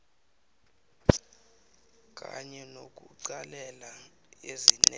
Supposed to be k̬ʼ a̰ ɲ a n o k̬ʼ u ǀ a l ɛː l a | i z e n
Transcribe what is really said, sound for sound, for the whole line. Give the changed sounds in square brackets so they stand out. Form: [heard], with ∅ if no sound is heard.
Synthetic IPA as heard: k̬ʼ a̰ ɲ [ɛ] n o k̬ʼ u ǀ a l [ɛ] l a | [e] z [i] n